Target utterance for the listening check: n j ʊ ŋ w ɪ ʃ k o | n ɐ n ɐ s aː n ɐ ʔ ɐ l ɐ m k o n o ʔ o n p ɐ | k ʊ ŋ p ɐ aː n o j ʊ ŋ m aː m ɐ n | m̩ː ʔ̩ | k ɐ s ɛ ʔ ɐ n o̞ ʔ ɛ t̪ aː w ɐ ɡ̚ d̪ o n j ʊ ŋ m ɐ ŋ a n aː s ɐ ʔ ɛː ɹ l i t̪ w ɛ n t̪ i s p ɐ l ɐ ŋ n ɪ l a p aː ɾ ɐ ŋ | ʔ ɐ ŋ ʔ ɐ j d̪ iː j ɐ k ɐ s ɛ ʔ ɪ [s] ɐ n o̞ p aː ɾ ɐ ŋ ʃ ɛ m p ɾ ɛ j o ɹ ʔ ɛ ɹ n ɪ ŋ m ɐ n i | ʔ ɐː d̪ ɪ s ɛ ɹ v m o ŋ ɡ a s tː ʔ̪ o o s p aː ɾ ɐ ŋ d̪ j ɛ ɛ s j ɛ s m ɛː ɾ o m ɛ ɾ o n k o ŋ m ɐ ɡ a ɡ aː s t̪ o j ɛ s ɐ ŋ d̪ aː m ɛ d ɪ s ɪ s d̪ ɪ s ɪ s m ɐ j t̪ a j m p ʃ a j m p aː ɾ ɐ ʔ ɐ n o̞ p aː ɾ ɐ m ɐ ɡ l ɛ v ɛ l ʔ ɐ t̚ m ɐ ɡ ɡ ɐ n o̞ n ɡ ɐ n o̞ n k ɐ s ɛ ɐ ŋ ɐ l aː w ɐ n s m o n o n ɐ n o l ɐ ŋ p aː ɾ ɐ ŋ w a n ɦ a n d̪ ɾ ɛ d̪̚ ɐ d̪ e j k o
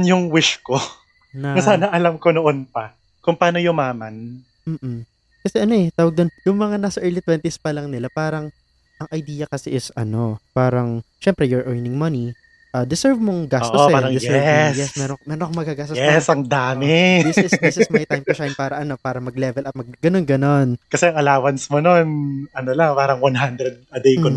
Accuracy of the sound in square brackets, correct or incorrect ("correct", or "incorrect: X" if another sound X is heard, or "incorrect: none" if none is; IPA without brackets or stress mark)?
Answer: correct